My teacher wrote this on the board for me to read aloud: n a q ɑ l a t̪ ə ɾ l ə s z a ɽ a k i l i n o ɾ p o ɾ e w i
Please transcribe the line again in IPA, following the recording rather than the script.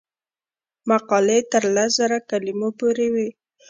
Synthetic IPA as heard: m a q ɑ l e t̪ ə ɾ l a s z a ɾ a k a l i m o p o ɾ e w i